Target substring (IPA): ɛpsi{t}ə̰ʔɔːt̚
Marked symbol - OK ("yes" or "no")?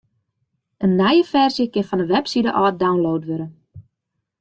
no